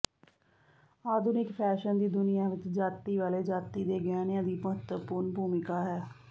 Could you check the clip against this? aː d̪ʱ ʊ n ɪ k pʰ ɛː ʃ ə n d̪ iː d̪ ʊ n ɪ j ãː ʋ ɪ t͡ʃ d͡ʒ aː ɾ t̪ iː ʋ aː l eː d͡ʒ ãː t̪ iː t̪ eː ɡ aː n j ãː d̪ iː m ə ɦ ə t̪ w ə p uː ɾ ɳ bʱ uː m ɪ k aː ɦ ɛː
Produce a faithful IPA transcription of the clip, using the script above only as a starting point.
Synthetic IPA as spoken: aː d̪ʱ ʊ n ɪ k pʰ ɛː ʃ ə n d̪ iː d̪ ʊ n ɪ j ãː ʋ ɪ t͡ʃ d͡ʒ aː t̪ iː ʋ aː l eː d͡ʒ aː t̪ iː d̪ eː ɡ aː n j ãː d̪ iː m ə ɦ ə t̪ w ə p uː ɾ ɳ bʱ uː m ɪ k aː ɦ ɛː

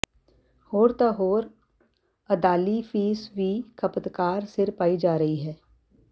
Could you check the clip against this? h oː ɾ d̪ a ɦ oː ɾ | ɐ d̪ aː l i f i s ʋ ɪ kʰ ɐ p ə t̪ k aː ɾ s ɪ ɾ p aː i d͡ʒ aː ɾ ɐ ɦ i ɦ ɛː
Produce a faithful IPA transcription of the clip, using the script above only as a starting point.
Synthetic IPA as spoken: h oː ɾ t̪ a ɦ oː ɾ | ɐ d̪ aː l i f iː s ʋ i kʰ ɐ p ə t̪ k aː ɾ s ɪ ɾ p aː i d͡ʒ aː ɾ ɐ ɦ i ɦ ɛː

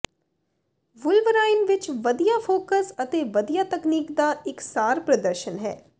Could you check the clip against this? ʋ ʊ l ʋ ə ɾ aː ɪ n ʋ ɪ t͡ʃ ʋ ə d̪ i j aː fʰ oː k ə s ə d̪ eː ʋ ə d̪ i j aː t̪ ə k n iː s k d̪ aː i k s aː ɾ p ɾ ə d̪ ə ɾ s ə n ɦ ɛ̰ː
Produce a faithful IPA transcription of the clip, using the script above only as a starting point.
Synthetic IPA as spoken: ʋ ʊ l ʋ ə ɾ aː ɪ n ʋ ɪ t͡ʃ ʋ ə d̪ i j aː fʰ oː k ə s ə t̪ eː ʋ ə d̪ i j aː t̪ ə k n iː k d̪ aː ɪ k s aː ɾ p ɾ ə d̪ ə ɾ ʃ ə n ɦ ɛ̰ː

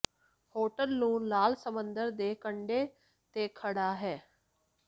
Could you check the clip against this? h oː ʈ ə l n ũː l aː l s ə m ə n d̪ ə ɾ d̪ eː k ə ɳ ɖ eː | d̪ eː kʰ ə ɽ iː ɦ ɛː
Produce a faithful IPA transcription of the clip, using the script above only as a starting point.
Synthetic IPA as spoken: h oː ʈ ə l n ũː l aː l s ə m ə n d̪ ə ɾ d̪ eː k ə ɳ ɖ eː | t̪ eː kʰ ə ɽ aː ɦ ɛː

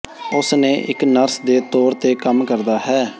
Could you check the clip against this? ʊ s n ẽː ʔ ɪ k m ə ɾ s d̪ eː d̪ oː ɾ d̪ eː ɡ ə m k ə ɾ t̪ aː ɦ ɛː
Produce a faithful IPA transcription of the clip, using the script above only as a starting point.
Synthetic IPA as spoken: ʊ s n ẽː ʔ ɪ k n ə ɾ s d̪ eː t̪ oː ɾ t̪ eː k ə m k ə ɾ d̪ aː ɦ ɛː

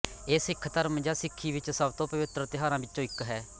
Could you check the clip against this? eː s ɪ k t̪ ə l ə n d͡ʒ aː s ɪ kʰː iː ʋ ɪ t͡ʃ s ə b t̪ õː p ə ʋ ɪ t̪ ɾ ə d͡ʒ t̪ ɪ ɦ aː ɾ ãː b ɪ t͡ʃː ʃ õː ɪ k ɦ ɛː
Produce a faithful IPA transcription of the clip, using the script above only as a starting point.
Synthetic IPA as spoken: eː s ɪ kʰ t̪ ə ɾ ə m d͡ʒ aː s ɪ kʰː iː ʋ ɪ t͡ʃ s ə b t̪ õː p ə ʋ ɪ t̪ ɾ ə t̪ ɪ ɦ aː ɾ ãː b ɪ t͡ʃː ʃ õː ɪ k ɦ ɛː

